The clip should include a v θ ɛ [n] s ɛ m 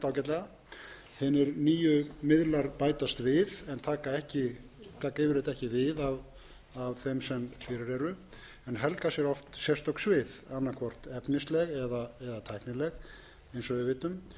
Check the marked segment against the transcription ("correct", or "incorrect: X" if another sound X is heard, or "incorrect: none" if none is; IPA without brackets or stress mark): incorrect: m